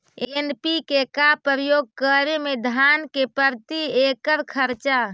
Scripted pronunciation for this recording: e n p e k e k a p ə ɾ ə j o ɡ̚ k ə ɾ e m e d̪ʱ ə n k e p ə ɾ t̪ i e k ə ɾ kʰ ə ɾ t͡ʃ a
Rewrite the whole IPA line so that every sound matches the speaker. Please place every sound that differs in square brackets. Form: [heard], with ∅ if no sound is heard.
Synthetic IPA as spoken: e n p [i] k e k a p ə ɾ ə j o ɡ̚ k ə ɾ e m e d̪ʱ [a] n k e p ə ɾ t̪ i e k ə ɾ kʰ ə ɾ t͡ʃ a